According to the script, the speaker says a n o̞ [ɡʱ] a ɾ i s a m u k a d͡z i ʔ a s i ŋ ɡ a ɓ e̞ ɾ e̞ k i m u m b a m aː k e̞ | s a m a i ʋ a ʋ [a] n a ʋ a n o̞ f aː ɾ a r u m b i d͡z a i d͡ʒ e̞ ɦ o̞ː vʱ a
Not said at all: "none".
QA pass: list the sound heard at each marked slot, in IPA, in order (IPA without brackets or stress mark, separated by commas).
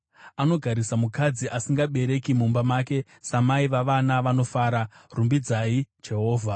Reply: ɡʱ, a